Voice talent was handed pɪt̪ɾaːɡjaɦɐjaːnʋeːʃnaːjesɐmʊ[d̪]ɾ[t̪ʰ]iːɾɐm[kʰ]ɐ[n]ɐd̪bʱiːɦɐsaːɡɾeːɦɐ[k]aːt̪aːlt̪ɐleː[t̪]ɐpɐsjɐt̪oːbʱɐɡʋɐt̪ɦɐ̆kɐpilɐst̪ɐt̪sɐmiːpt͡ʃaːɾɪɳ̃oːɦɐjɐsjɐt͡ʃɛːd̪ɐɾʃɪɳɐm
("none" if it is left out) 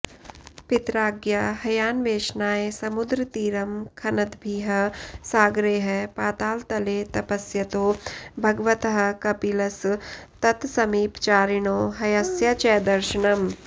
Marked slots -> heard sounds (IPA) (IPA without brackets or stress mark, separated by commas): d̪, t̪, kʰ, n, p, t̪